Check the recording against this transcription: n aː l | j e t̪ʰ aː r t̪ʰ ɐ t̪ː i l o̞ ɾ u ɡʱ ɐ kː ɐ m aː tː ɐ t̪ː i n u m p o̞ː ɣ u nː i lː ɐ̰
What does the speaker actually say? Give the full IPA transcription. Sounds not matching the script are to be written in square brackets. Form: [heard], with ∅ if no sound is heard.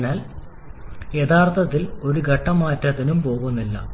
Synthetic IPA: n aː l | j e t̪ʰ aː r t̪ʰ ɐ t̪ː i l o̞ ɾ u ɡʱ ɐ [ʈː] ɐ m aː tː ɐ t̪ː i n u m p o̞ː ɣ u nː i lː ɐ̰